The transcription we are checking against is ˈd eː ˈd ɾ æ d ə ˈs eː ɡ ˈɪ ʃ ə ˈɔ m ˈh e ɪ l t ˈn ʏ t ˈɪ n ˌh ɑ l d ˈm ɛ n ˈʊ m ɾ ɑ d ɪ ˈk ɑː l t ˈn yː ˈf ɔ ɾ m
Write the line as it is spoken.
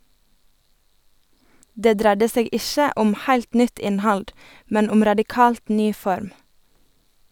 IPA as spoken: ˈd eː ˈd ɾ æ d ə ˈs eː ɡ ˈɪ ʃ ə ˈɔ m ˈh æ ɪ l t ˈn ʏ t ˈɪ n ˌh ɑ l d ˈm ɛ n ˈʊ m ɾ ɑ d ɪ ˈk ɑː l t ˈn yː ˈf ɔ ɾ m